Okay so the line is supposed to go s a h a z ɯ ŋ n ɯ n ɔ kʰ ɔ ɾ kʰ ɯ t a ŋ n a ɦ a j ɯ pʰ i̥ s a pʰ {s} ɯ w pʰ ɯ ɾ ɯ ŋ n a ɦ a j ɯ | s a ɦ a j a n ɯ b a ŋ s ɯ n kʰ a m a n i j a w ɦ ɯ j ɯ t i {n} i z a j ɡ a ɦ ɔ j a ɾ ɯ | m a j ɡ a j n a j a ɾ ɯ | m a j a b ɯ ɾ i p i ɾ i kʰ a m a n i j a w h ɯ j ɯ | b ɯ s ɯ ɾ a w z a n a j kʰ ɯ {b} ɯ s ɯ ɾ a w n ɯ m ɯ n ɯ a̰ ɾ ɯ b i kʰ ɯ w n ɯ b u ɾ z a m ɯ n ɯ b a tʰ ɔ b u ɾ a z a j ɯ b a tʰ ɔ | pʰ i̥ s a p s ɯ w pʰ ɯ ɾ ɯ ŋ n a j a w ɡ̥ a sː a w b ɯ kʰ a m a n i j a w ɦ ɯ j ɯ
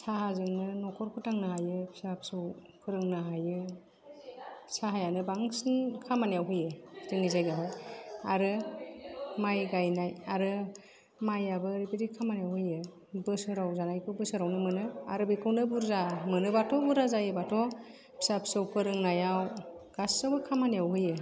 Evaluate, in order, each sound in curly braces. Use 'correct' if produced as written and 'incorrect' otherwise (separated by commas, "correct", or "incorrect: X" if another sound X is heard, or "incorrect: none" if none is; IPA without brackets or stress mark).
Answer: correct, incorrect: ŋ, correct